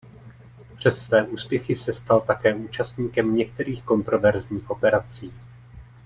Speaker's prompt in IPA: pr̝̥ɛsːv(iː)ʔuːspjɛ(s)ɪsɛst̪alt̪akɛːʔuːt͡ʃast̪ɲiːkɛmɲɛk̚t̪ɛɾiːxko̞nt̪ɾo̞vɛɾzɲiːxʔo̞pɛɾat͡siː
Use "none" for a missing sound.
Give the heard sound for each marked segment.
ɛː, x

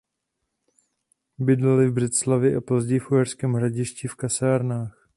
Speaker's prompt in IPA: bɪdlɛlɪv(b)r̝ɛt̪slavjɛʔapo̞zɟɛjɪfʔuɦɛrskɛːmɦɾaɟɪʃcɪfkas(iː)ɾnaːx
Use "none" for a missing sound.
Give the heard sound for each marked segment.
b, aː

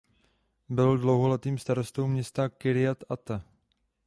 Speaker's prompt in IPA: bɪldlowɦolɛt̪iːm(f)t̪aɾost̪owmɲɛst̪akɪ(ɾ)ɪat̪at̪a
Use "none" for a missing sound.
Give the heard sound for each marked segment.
s, ɾ

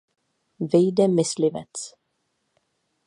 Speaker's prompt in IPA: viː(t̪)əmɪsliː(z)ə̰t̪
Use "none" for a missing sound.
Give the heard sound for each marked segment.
d̪, v

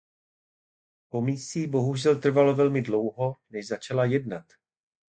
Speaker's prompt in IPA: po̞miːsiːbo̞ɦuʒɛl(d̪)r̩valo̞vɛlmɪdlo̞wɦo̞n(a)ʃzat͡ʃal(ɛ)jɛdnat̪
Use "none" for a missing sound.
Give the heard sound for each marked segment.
t̪, ɛ, a

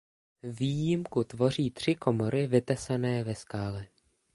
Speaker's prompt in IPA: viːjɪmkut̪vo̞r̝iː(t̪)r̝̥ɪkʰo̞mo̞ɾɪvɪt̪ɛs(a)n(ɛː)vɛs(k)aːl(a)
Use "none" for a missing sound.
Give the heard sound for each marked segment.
t̪, a, ɛː, k, ɛ

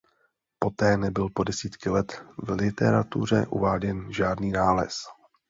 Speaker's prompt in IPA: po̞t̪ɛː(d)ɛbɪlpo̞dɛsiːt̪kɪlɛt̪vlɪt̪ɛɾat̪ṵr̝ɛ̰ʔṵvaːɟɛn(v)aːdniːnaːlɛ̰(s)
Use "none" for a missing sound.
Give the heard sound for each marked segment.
n, ʒ, s

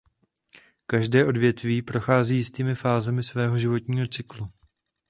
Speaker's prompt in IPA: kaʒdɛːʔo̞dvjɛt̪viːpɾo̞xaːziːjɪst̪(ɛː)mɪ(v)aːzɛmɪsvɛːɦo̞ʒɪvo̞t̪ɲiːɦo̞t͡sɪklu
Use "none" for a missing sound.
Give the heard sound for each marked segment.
iː, f

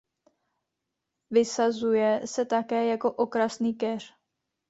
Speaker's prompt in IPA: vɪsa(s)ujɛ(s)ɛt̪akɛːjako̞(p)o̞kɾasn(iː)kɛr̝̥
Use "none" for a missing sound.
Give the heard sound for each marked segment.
z, s, ʔ, iː

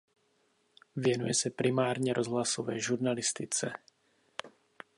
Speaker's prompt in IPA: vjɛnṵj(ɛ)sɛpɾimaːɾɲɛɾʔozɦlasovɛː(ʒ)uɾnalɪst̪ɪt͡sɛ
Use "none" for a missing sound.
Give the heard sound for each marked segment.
ɛ, ʒ

